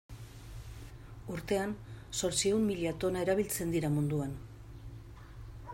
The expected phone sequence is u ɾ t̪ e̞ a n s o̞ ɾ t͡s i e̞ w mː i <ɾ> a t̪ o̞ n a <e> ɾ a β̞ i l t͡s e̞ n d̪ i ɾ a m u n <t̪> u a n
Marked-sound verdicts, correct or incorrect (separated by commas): incorrect, correct, incorrect